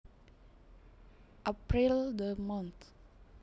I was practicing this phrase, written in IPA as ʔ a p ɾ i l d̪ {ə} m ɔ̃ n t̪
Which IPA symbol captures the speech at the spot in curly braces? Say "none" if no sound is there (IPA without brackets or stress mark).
ə